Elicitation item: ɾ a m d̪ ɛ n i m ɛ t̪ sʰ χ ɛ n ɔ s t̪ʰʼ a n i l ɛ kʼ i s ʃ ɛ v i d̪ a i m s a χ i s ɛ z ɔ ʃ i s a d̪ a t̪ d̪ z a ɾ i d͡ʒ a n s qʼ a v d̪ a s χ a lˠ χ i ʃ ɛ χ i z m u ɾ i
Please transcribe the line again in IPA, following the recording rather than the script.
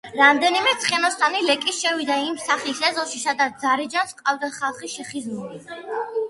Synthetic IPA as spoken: ɾ a m d̪ ɛ n i m ɛ t̪ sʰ χ ɛ n ɔ s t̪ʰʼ a n i l ɛ kʼ i s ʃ ɛ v i d̪ a i m s a χ i s ɛ z ɔ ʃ i s a d̪ a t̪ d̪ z a ɾ i d͡ʒ a n s qʼ a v d̪ a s χ a lˠ χ i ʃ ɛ χ i z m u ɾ i